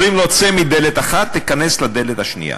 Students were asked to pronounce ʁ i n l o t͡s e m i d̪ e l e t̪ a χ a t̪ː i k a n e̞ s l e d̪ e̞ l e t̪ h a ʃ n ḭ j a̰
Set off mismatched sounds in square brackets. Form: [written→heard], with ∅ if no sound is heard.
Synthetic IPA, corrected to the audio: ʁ i [n→m] l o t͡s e m i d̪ e l e t̪ a χ a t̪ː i k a n e̞ s l [e→a] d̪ e̞ l e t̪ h a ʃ n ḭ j a̰